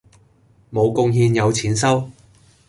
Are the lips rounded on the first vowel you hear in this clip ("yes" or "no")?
yes